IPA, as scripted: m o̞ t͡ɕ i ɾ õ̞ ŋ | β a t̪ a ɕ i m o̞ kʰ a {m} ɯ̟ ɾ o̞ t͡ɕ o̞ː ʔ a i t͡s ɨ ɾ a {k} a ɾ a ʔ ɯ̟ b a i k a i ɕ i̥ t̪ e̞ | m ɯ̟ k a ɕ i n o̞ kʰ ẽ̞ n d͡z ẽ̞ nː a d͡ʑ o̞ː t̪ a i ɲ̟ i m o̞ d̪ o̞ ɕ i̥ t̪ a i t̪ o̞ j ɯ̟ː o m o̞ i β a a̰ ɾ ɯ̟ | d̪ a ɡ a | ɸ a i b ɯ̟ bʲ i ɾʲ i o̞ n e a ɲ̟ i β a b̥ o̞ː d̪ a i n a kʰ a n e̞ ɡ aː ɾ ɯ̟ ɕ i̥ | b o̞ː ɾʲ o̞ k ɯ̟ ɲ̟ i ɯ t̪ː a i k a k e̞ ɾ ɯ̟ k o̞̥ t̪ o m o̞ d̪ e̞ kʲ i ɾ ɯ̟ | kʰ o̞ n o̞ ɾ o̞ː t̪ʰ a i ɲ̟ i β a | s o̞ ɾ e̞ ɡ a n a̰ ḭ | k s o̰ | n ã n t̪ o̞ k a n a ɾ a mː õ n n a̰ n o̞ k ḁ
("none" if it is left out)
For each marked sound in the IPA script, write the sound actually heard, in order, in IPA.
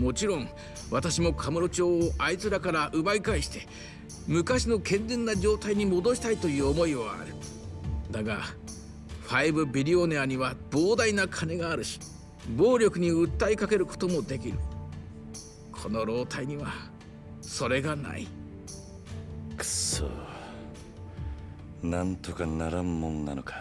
m, k

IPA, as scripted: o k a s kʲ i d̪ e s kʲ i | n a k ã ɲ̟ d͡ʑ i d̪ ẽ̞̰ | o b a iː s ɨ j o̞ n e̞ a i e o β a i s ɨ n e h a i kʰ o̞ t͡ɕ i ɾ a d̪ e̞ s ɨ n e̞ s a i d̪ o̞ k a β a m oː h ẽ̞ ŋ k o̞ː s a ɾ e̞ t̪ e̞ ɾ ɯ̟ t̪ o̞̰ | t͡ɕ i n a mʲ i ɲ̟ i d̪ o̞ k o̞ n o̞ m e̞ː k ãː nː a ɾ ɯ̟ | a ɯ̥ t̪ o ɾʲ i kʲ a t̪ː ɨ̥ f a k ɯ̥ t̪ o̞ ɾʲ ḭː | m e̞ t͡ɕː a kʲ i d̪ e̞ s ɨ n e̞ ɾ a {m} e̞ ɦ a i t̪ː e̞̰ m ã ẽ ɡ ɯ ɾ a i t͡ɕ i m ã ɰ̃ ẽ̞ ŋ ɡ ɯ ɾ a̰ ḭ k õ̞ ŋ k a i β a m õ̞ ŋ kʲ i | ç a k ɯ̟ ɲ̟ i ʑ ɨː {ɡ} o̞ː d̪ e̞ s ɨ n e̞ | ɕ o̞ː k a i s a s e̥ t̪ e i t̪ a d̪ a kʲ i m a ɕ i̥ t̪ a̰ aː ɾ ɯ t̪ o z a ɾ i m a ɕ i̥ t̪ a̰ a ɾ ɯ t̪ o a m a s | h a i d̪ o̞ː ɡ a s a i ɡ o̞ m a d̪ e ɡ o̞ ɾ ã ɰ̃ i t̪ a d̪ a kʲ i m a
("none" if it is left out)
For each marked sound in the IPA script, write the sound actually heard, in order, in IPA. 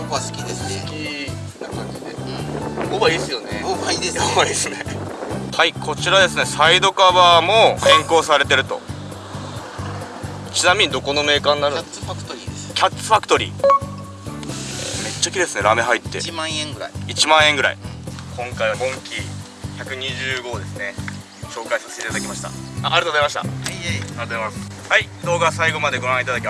m, ɡ

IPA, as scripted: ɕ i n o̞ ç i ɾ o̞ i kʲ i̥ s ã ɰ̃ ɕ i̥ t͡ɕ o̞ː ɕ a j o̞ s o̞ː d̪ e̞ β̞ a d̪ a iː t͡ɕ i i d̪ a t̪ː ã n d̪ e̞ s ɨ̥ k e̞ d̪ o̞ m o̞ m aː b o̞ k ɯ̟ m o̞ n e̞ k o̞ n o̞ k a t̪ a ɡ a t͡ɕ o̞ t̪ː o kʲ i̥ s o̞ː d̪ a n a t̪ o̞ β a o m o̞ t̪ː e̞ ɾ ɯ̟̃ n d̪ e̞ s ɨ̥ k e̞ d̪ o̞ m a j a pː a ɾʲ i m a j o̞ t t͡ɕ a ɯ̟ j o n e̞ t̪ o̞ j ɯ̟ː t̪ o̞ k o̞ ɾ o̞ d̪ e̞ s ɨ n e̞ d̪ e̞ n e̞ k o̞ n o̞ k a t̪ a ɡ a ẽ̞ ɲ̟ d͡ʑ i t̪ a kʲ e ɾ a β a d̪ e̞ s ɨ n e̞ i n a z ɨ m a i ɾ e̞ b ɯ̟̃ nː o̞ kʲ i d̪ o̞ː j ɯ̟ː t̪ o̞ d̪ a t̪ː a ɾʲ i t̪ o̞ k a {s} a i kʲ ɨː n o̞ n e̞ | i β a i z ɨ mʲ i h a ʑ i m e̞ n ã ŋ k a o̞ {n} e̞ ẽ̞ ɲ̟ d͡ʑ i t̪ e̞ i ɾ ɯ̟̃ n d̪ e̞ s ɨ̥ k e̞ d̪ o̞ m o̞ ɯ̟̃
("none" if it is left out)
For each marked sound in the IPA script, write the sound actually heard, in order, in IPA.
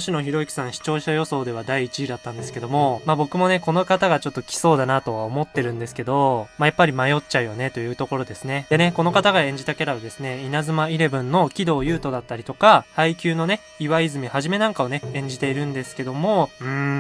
h, n

